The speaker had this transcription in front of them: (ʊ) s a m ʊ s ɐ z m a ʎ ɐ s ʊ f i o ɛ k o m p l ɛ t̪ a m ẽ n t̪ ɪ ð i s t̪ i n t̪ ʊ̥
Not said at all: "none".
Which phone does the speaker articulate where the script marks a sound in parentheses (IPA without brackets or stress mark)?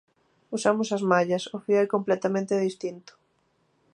u